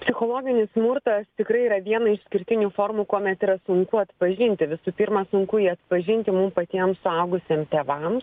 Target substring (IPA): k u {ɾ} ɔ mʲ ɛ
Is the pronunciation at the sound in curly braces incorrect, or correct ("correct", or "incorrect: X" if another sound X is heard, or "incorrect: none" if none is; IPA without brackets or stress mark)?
incorrect: none